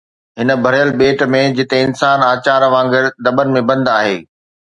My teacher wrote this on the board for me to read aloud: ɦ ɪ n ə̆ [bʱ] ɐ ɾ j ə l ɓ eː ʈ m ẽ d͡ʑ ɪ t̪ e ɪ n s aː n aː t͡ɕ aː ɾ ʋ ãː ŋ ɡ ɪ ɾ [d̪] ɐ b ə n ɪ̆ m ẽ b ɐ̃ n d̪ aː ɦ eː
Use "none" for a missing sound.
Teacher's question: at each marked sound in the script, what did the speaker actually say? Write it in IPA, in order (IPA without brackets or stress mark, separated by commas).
bʱ, d̪